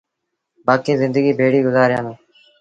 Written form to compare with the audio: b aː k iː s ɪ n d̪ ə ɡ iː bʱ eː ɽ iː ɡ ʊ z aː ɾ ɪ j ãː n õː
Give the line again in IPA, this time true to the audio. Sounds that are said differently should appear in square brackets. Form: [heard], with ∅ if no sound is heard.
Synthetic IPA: b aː k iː [z] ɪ n d̪ ə ɡ iː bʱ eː ɽ iː ɡ ʊ z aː ɾ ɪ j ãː n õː